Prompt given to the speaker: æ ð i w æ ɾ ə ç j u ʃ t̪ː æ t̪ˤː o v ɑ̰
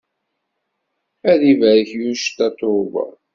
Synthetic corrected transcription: æ ð i v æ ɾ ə ç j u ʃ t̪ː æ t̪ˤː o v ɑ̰